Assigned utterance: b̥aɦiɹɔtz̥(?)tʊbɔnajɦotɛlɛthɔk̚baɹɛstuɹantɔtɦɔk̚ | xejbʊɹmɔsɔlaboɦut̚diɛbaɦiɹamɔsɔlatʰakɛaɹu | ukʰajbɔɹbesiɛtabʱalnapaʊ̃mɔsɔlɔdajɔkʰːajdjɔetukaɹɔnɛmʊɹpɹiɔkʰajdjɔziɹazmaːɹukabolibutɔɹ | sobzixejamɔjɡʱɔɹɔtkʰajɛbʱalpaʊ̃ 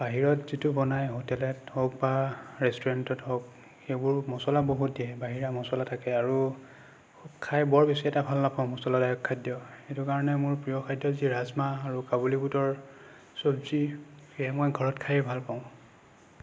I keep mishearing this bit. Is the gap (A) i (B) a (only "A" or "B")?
A